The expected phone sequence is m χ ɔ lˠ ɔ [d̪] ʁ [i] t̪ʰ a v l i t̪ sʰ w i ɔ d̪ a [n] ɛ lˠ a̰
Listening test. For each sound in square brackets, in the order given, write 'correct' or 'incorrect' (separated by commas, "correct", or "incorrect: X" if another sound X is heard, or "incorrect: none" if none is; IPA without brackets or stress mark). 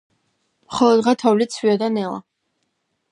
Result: correct, incorrect: a, correct